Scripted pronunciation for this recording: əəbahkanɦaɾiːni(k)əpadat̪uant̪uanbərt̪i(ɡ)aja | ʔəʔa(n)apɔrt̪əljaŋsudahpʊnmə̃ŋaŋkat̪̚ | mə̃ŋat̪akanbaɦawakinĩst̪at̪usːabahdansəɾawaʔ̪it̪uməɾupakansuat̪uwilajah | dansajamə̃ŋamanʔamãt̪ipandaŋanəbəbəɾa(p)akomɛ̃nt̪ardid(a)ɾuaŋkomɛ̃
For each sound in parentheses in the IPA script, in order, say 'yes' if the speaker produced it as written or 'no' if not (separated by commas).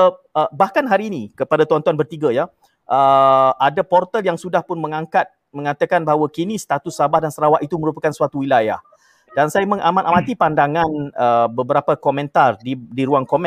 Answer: yes, yes, no, yes, no